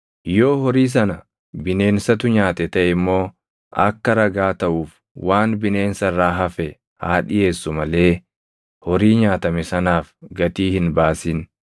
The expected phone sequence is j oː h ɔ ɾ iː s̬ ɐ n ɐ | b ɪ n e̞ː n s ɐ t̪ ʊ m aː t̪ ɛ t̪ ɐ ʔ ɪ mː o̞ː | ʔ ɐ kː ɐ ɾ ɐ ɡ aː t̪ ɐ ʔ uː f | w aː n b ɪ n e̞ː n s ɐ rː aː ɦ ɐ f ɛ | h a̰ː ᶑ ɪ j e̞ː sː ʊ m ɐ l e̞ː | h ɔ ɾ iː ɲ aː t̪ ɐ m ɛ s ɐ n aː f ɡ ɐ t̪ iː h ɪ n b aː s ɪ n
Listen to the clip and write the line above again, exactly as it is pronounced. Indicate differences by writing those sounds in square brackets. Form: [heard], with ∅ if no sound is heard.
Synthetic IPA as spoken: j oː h ɔ ɾ iː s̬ ɐ n ɐ | b ɪ n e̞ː n s ɐ t̪ ʊ [ɲ] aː t̪ ɛ t̪ ɐ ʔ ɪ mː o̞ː | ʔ ɐ kː ɐ ɾ ɐ ɡ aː t̪ ɐ ʔ uː f | w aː n b ɪ n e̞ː n s ɐ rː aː ɦ ɐ f ɛ | h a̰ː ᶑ ɪ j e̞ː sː ʊ m ɐ l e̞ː | h ɔ ɾ iː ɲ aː t̪ ɐ m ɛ s ɐ n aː f ɡ ɐ t̪ iː h ɪ n b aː s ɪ n